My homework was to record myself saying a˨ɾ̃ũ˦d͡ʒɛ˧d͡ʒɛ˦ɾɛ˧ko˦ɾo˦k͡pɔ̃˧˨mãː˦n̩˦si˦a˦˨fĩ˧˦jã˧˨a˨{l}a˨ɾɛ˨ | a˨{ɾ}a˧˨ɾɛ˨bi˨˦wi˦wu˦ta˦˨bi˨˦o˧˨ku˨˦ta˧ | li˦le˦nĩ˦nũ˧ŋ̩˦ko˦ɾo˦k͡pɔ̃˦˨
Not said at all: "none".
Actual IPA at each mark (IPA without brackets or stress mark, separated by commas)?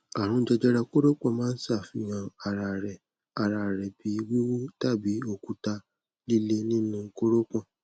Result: ɾ, ɾ